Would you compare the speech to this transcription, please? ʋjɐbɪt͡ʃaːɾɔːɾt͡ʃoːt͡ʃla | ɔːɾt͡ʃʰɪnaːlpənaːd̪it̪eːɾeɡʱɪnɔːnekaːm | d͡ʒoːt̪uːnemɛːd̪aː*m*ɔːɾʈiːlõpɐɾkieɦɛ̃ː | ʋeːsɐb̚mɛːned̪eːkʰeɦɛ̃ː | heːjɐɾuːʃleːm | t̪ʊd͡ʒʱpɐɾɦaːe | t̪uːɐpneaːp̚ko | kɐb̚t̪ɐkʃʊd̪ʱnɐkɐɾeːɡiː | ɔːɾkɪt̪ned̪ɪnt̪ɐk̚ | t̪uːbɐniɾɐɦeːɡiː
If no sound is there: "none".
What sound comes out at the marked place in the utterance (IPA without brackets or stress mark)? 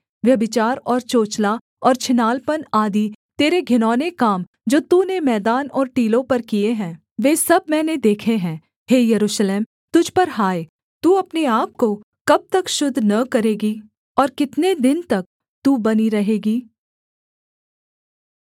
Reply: n